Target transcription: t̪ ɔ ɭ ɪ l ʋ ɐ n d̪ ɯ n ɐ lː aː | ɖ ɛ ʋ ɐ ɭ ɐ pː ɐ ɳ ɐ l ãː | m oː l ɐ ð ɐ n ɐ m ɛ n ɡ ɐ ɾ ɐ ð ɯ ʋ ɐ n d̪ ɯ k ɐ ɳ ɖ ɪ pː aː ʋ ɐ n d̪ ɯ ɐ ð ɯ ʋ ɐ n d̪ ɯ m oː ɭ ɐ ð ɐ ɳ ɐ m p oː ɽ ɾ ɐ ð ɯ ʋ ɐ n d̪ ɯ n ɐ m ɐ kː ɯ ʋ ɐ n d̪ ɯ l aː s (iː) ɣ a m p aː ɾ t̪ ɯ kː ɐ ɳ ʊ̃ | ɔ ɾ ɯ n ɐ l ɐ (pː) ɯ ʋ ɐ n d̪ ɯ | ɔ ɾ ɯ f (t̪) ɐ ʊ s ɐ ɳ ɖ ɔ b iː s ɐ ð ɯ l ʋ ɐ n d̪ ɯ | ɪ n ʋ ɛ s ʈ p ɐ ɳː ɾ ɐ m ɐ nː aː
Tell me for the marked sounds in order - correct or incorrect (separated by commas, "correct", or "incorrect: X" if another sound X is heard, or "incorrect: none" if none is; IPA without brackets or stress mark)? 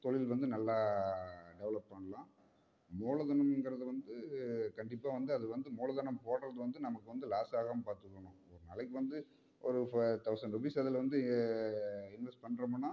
incorrect: aː, incorrect: kː, correct